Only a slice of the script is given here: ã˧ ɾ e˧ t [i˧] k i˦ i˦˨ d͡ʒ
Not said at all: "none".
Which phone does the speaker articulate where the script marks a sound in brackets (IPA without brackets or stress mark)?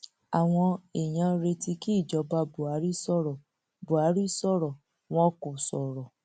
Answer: i˧